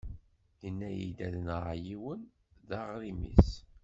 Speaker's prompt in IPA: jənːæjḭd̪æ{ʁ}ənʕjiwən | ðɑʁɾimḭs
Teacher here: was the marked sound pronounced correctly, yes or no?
no